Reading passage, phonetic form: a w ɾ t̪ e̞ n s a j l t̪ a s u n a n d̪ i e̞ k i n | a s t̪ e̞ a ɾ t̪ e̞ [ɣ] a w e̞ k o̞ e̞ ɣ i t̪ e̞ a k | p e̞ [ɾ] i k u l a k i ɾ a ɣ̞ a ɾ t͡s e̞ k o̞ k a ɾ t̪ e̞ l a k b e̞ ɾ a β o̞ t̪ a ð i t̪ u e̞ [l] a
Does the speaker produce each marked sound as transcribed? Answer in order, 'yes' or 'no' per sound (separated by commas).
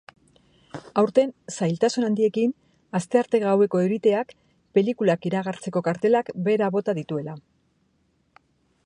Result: yes, no, yes